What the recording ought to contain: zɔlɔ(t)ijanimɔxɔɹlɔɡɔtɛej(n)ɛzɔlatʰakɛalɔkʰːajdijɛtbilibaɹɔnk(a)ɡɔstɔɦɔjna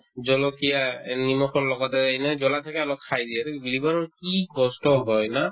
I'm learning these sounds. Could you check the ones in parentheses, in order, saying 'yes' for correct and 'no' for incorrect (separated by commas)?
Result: no, yes, no